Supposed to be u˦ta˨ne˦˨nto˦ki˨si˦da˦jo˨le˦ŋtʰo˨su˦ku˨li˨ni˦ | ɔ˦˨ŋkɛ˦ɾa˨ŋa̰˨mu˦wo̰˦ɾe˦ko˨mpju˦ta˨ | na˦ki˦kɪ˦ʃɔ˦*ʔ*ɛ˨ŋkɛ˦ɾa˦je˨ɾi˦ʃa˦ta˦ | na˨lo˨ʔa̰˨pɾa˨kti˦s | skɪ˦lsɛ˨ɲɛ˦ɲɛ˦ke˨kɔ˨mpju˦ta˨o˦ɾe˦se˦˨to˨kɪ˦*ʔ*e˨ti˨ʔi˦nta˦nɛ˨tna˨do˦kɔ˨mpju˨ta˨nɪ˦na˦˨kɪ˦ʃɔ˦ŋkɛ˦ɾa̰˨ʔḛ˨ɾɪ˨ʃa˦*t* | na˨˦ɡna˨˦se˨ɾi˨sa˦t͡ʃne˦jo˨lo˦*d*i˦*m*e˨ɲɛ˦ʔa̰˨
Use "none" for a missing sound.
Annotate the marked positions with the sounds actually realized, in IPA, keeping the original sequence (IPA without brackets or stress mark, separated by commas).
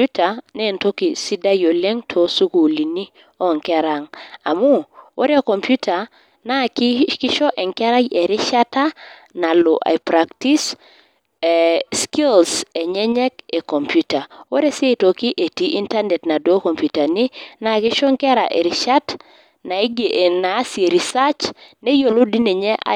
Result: ʔ, ʔ, t, d, n